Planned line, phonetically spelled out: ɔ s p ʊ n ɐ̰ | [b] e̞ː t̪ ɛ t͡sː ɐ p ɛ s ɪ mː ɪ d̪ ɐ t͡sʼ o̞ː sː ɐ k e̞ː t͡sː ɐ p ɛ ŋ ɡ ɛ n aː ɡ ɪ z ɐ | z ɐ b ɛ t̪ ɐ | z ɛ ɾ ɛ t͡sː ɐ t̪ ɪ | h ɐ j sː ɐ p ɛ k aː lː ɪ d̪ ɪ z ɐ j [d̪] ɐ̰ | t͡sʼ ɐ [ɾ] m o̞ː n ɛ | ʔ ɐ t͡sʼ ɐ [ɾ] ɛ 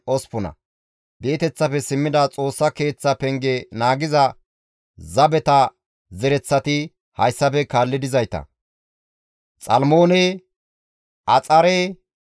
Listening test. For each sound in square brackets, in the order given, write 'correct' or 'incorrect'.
correct, incorrect, incorrect, correct

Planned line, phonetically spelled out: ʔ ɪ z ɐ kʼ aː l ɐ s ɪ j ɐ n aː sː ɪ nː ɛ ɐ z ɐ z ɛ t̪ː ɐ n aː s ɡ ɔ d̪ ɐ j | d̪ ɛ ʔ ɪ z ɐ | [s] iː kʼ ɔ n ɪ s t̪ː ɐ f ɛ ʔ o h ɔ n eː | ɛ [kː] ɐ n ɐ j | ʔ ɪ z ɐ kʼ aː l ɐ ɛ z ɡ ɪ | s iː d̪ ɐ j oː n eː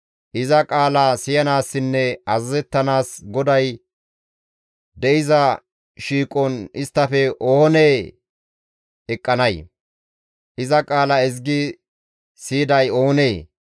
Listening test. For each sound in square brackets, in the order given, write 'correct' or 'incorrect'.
incorrect, incorrect

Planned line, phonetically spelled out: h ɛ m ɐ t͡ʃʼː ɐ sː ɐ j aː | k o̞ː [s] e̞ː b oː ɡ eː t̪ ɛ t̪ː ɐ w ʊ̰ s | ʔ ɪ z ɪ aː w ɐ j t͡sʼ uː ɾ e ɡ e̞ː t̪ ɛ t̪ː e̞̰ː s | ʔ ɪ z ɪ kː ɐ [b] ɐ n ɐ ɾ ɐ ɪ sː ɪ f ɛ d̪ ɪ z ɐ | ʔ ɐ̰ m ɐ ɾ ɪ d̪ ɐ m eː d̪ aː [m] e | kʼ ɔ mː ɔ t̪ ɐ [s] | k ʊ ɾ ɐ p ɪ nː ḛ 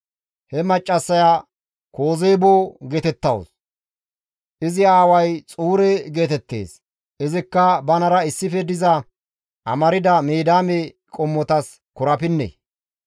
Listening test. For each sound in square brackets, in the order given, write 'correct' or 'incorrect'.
incorrect, correct, correct, correct

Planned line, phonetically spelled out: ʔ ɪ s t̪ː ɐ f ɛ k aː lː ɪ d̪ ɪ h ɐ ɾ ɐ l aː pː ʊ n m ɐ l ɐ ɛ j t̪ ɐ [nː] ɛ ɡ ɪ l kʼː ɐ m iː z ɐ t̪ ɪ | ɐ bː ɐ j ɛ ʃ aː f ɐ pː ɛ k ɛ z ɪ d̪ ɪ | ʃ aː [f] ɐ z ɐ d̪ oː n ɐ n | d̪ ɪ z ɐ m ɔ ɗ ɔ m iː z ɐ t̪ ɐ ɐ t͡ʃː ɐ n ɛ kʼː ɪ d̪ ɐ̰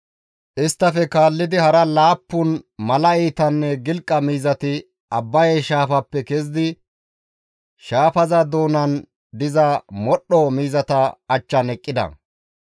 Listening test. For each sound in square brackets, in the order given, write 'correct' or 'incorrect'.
correct, correct

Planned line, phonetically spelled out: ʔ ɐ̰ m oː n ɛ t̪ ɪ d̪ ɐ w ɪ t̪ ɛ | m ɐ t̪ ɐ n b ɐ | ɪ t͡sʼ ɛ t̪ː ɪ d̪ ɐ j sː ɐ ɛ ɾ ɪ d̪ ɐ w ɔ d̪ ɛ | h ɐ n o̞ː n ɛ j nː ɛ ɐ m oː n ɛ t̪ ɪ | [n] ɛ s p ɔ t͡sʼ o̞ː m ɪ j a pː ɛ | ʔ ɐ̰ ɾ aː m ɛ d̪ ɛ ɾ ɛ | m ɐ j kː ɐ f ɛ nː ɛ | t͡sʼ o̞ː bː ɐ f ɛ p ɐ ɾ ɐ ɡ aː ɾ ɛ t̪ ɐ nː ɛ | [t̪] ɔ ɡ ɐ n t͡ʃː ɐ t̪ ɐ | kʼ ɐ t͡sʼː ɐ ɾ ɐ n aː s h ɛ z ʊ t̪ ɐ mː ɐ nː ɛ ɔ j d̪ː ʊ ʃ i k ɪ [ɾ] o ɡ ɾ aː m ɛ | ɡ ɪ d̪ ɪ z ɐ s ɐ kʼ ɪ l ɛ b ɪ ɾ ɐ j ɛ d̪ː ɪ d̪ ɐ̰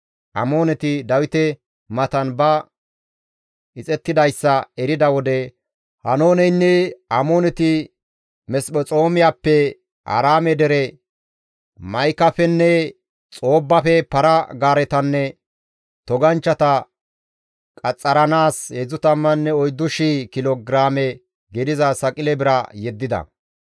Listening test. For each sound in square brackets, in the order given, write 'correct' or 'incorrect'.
incorrect, correct, incorrect

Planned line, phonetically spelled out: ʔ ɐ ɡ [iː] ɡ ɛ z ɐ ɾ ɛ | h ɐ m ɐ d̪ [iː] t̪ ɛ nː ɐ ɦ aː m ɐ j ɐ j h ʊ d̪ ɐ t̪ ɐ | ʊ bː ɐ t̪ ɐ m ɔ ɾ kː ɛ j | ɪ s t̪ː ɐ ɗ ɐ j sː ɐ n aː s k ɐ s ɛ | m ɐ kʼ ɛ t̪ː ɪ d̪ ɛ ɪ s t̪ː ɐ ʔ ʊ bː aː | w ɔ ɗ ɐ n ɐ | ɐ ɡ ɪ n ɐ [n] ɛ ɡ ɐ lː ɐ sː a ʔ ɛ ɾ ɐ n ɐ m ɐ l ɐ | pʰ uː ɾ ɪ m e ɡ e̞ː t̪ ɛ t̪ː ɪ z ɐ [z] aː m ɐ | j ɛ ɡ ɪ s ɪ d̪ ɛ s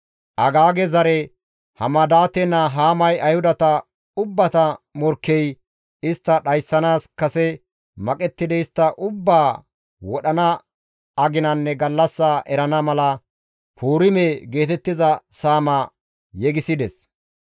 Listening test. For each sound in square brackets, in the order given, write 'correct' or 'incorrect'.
incorrect, incorrect, incorrect, incorrect

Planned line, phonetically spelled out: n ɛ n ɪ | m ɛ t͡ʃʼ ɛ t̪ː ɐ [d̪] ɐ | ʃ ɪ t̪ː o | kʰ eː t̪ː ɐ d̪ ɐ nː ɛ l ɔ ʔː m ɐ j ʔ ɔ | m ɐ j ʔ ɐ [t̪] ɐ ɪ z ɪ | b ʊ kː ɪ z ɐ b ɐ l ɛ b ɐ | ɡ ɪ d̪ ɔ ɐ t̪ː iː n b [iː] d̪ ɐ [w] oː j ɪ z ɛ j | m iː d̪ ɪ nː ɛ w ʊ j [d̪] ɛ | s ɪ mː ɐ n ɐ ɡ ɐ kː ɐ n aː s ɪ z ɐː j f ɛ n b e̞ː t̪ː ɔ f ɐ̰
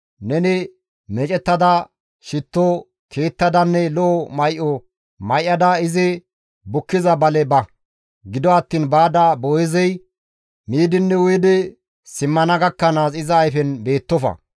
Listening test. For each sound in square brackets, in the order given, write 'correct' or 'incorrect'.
correct, incorrect, incorrect, incorrect, correct

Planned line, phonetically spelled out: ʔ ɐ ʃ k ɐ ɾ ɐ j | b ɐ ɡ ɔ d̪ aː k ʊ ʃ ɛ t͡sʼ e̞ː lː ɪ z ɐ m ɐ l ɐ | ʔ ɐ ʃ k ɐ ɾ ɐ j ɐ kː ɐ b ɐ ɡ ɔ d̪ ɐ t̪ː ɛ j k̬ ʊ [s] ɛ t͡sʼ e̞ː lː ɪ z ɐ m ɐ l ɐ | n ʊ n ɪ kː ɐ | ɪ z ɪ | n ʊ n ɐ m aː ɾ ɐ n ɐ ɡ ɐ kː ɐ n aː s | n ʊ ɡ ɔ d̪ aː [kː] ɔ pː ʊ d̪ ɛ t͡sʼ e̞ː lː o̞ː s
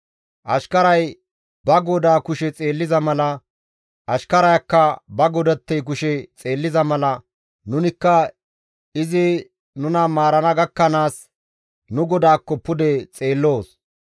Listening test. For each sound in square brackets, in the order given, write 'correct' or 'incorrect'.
incorrect, correct

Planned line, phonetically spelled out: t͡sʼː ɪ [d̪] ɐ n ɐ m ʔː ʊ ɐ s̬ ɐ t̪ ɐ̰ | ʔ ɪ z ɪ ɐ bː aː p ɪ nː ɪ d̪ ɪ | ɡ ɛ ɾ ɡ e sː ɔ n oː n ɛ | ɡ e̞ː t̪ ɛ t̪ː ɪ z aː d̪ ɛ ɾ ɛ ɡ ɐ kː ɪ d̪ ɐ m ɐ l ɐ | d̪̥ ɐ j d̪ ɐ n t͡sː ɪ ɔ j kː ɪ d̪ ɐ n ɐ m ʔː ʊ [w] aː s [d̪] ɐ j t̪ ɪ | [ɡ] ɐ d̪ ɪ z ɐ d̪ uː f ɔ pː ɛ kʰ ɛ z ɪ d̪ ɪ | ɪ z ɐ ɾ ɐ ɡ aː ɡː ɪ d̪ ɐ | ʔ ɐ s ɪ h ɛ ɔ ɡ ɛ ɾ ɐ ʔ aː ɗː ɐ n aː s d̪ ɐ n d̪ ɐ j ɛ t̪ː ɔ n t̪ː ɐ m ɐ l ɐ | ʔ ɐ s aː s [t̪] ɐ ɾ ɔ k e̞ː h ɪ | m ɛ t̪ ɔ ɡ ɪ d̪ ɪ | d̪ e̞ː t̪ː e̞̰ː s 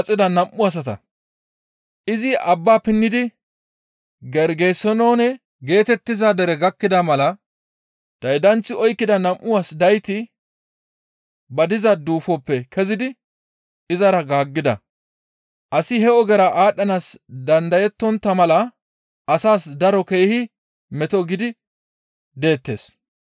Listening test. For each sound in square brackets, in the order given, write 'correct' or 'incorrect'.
correct, correct, correct, incorrect, incorrect

